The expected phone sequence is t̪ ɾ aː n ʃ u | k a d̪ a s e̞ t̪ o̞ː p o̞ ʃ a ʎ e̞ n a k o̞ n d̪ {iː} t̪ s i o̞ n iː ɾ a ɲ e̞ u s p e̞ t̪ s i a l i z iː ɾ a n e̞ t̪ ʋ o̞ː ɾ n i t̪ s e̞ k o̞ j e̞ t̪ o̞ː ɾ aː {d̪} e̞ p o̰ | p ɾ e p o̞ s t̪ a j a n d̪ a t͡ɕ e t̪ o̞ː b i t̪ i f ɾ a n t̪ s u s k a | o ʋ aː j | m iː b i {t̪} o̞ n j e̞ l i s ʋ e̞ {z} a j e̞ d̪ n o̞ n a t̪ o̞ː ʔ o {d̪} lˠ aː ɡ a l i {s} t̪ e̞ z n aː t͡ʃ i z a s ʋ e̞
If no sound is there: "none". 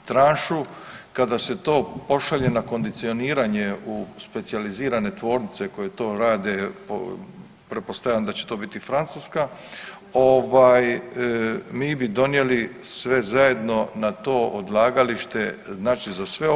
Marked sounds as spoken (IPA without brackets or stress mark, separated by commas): i, d̪, d̪, z, d̪, ʃ